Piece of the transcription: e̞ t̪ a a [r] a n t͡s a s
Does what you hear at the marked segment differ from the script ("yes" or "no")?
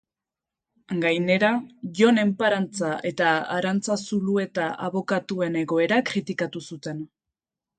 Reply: yes